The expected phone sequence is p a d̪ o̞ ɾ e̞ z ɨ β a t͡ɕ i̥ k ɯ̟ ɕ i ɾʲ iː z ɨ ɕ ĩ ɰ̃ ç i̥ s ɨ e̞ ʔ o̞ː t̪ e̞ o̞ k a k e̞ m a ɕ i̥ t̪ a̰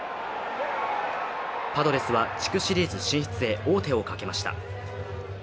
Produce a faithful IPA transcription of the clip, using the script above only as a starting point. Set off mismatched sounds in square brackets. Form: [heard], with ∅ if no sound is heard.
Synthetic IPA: p a d̪ o̞ ɾ e̞ [s] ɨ β a t͡ɕ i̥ k ɯ̟ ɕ i ɾʲ iː z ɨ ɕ ĩ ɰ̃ ç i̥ [t͡s] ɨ e̞ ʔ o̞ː t̪ e̞ o̞ k a k e̞ m a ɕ i̥ t̪ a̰